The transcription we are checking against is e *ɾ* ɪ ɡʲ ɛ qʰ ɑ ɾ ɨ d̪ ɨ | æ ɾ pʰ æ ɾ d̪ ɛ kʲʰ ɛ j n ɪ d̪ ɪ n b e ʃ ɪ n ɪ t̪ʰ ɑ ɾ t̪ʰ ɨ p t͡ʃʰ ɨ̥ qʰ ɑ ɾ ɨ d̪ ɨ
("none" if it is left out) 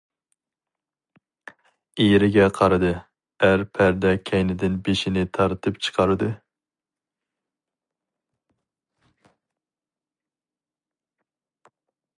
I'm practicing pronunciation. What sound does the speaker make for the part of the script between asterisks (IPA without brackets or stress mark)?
ɾ